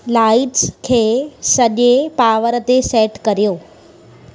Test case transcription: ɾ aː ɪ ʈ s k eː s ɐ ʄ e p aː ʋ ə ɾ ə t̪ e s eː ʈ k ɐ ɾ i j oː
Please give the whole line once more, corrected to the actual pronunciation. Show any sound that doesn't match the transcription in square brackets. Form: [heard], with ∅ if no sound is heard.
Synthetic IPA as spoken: [l] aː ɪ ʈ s [kʰ] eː s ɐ ʄ e p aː ʋ ə ɾ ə t̪ e s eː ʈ k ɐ ɾ i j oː